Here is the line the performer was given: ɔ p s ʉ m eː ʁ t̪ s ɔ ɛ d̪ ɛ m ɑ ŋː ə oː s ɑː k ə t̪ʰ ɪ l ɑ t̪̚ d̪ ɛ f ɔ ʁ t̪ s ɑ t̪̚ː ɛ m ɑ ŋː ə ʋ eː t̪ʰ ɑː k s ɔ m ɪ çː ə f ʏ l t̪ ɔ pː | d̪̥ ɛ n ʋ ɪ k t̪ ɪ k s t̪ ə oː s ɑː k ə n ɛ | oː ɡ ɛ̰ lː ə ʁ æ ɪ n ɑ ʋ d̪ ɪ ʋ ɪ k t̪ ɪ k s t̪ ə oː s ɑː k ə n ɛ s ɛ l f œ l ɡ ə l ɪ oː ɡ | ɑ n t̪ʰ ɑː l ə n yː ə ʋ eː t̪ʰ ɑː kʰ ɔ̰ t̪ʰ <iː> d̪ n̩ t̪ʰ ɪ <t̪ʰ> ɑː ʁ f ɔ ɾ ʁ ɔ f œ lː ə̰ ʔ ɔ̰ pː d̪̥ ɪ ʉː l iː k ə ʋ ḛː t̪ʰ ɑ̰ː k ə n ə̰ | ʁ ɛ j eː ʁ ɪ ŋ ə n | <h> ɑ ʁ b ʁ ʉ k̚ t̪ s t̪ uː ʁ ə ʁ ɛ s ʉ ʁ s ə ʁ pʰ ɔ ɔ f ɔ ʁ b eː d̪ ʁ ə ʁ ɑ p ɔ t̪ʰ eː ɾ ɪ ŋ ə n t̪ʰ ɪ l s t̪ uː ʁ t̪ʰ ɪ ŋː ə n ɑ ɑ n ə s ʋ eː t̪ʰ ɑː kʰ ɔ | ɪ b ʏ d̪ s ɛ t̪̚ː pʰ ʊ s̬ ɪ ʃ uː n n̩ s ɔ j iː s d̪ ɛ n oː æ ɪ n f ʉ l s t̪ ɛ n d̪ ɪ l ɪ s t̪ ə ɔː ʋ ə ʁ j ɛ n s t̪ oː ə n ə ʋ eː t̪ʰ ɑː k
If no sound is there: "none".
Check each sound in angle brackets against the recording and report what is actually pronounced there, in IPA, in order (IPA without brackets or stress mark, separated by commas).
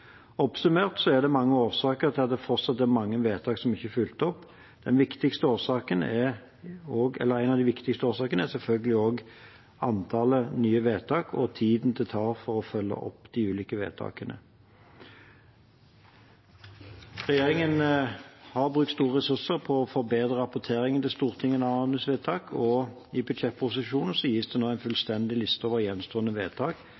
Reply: iː, t̪ʰ, h